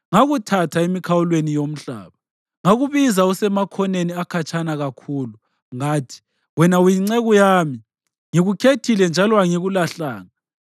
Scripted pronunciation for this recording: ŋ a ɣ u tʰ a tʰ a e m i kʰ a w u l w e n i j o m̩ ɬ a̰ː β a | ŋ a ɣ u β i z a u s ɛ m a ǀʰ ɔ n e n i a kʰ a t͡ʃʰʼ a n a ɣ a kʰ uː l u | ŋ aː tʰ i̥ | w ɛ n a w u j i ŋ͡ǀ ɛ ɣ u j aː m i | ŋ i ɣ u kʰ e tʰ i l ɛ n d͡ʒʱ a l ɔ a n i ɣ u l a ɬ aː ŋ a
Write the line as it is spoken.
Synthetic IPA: ŋ a ɣ u tʰ a tʰ a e m i kʰ a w u l w e n i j o m̩ ɬ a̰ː β a | ŋ a ɣ u β i z a u s ɛ m a kʰ ɔ n e n i a kʰ a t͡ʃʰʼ a n a ɣ a kʰ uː l u | ŋ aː tʰ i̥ | w ɛ n a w u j i ŋ͡ǀ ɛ ɣ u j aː m i | ŋ i ɣ u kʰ e tʰ i l ɛ n d͡ʒʱ a l ɔ a ŋ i ɣ u l a ɬ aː ŋ a